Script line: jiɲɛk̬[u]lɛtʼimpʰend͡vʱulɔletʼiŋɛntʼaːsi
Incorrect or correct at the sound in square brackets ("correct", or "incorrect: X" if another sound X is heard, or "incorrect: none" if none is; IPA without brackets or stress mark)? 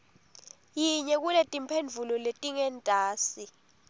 correct